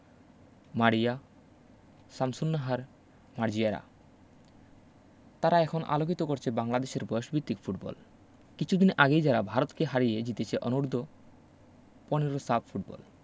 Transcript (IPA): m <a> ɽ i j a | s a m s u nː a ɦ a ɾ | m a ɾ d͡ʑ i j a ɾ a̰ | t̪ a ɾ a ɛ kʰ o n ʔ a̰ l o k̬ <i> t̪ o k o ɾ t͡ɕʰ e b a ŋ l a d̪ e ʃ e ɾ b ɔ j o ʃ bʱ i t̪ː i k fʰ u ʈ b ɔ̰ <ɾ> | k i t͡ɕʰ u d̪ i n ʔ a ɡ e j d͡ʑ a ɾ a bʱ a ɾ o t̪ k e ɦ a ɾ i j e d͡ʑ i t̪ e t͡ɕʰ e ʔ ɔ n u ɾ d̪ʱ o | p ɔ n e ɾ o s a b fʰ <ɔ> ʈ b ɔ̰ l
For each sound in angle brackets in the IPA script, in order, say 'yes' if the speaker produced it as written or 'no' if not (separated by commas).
yes, yes, no, no